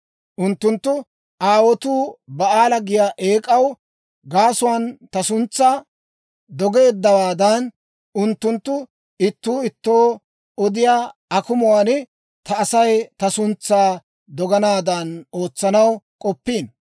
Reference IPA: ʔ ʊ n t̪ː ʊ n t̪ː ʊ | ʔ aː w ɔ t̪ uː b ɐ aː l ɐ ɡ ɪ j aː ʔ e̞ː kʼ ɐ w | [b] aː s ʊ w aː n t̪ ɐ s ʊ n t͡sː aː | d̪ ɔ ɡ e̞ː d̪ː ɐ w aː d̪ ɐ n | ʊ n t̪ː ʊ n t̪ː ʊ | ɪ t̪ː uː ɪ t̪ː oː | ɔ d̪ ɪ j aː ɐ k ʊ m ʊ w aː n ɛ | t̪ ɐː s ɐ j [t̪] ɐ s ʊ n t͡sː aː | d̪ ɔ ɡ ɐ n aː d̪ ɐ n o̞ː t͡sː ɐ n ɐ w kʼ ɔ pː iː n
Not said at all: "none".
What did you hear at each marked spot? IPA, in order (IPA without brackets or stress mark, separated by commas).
ɡ, t̪